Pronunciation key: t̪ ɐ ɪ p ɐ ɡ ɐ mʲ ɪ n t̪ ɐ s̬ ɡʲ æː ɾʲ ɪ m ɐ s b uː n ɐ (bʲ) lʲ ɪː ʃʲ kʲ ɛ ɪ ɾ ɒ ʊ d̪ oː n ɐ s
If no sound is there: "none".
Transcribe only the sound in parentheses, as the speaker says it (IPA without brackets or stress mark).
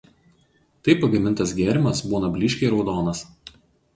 bʲ